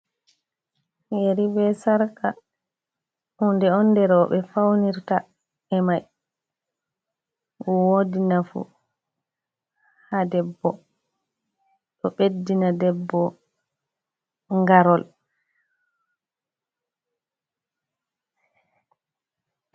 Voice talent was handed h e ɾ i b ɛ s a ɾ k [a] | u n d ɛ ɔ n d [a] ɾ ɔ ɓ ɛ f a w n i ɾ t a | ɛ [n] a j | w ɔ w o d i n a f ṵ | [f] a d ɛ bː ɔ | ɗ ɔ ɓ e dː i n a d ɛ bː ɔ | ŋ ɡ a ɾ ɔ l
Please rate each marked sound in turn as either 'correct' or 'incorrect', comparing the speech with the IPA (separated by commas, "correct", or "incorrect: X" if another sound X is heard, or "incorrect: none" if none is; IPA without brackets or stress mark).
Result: correct, incorrect: ɛ, incorrect: m, incorrect: h